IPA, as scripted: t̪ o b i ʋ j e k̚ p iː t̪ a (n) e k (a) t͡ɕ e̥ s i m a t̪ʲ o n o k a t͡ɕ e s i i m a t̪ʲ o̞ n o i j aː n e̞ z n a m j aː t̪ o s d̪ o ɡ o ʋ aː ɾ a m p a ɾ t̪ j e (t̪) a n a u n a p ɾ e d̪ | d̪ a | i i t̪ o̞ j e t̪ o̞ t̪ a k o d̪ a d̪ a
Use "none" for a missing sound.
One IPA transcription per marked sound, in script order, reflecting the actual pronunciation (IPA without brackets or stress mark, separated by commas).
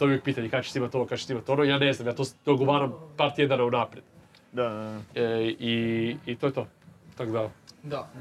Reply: ɲ, a, d̪